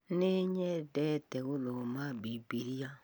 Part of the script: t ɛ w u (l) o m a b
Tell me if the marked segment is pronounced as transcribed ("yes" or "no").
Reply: yes